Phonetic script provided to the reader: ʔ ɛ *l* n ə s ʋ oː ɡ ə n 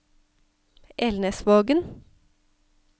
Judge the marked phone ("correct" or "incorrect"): correct